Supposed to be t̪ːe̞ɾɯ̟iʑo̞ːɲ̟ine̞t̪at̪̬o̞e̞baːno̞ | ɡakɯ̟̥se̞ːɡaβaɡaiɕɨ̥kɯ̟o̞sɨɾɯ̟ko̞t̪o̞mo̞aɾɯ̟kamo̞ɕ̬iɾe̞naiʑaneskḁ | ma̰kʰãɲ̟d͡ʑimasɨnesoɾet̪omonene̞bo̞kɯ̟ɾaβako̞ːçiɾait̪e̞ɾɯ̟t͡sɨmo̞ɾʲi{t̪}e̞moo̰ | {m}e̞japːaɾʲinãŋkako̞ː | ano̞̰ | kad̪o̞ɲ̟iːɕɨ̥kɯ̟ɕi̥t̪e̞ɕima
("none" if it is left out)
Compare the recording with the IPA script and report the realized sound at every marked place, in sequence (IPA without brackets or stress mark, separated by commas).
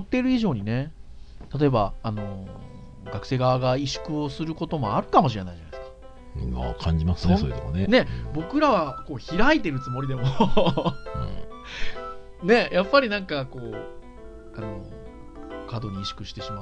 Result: d̪, n